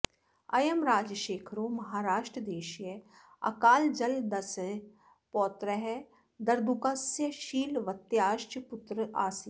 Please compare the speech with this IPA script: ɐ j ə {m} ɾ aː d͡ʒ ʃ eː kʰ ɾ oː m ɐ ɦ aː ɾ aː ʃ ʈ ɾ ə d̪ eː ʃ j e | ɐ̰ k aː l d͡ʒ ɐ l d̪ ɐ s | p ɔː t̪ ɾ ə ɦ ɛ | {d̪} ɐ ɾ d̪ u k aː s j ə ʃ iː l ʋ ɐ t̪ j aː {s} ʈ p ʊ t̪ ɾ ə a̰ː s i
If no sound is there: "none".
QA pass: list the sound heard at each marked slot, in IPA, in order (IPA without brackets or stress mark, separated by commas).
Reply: m, d̪, ʃ